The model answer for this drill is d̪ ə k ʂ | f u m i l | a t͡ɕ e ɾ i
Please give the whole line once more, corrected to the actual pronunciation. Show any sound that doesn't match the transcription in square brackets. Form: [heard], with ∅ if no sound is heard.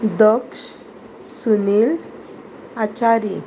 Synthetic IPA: d̪ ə k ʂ | [s] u [n] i l | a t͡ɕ [a] ɾ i